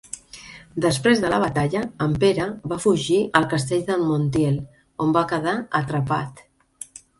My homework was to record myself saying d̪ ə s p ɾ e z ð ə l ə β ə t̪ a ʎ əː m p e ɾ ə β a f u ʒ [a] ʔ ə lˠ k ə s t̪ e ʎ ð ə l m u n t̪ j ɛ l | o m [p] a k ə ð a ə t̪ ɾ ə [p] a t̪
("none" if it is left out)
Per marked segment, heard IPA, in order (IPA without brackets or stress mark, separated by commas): i, b, p